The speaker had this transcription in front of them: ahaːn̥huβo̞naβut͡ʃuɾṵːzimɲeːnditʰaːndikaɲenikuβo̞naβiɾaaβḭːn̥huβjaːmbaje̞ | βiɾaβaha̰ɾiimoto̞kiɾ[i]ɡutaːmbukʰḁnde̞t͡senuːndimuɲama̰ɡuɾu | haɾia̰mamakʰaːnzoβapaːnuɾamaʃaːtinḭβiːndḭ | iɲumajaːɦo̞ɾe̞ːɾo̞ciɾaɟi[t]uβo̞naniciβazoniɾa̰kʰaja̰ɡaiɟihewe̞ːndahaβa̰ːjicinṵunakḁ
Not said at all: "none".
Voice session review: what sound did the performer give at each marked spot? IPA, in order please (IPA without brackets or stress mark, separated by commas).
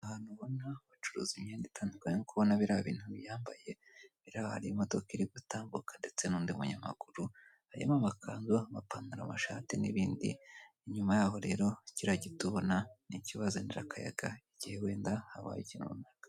i, t